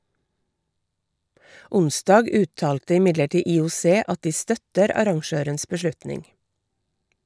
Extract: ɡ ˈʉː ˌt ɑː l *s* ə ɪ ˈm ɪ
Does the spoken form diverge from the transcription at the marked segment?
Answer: yes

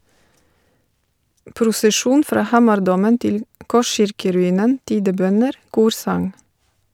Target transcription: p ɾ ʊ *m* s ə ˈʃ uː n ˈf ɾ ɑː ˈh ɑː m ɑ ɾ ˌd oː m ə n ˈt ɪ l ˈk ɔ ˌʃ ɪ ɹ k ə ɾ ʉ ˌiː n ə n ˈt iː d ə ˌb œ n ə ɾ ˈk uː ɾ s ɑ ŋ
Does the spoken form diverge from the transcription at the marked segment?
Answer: yes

